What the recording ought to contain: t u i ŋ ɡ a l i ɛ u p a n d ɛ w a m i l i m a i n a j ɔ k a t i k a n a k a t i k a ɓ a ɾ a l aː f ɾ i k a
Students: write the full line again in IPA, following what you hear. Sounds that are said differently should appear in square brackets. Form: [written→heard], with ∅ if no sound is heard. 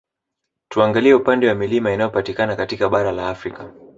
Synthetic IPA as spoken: t u [i→a] ŋ ɡ a l i ɛ u p a n d ɛ w a m i l i m a i n a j ɔ [k→p] a t i k a n a k a t i k a ɓ a ɾ a l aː f ɾ i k a

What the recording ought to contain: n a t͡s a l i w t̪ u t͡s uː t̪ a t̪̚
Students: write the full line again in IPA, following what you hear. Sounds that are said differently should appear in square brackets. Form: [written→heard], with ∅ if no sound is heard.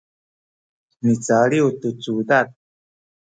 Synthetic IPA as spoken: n [a→i] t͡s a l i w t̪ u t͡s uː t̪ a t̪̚

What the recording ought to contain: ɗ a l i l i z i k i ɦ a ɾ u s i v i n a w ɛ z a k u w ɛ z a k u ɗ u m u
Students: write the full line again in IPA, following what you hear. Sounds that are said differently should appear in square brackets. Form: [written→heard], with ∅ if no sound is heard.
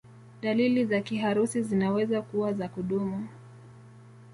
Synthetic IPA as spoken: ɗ a l i l i z [i→a] k i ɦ a ɾ u s i [v→z] i n a w ɛ z a k u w [ɛ→a] z a k u ɗ u m u

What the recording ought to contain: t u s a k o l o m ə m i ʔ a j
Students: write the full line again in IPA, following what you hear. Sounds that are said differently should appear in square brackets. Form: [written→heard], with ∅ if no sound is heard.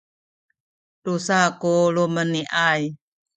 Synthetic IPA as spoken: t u s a k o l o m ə [m→n] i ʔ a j

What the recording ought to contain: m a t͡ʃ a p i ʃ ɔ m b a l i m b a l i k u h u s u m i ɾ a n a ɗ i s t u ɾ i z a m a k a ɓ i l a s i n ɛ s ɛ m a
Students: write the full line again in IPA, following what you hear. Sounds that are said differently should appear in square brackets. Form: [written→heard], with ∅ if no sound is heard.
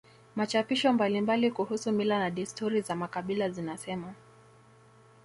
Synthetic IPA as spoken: m a t͡ʃ a p i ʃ ɔ m b a l i m b a l i k u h u s u m i [ɾ→l] a n a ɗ i s t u ɾ i z a m a k a ɓ i l a [s→z] i n [ɛ→a] s ɛ m a

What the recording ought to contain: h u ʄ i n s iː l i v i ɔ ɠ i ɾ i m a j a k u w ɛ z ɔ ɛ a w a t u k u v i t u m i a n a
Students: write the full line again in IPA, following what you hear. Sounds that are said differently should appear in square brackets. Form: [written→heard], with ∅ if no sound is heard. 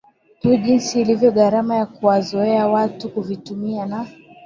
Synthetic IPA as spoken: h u ʄ i n s iː l i v [i→j] ɔ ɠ [i→a] ɾ [i→a] m a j a k u w [ɛ→a] z ɔ ɛ a w a t u k u v i t u m i a n a

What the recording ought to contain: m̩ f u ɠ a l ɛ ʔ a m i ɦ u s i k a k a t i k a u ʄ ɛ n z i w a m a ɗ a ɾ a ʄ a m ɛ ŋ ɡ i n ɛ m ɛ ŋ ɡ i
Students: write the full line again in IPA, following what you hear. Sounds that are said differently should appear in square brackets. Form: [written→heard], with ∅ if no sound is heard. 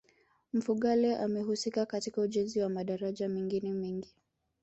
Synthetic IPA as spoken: m̩ f u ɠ a l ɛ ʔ a m [i→ɛ] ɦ u s i k a k a t i k a u ʄ ɛ n z i w a m a ɗ a ɾ a ʄ a m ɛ ŋ ɡ i n ɛ m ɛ ŋ ɡ i

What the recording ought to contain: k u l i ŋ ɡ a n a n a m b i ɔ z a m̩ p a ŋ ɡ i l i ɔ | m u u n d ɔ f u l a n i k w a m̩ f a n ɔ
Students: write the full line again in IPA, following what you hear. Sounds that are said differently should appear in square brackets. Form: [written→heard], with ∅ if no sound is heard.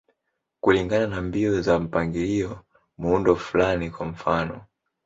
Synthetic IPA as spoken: k u l i ŋ ɡ a n a n a m b i ɔ z a m̩ p a ŋ ɡ i l i ɔ | m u u n d ɔ f u l a n i k w a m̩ f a n ɔ

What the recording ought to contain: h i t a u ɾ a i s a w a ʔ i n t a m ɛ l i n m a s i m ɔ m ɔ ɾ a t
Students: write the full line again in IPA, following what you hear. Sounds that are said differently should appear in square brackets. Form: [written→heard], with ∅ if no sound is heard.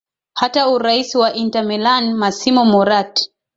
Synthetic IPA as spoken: h [i→a] t a u ɾ a i s [a→i] w a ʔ i n t a m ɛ l [i→a] n m a s i m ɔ m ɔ ɾ a t

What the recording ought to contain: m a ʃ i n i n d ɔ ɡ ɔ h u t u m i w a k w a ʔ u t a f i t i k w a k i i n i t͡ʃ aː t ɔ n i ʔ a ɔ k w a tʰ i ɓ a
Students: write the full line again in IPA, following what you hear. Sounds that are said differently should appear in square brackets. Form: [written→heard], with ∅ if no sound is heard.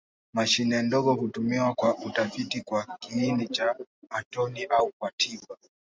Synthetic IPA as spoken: m a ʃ i n [i→ɛ] n d ɔ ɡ ɔ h u t u m i w a k w a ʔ u t a f i t i k w a k i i n i t͡ʃ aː t ɔ n i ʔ a [ɔ→u] k w a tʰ i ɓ a

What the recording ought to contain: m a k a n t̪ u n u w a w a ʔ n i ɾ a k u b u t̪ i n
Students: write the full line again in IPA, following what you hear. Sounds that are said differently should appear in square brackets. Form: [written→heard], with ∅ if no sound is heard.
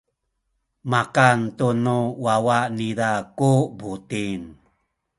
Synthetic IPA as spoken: m a k a n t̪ u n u w a w a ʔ n i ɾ a k u b u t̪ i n

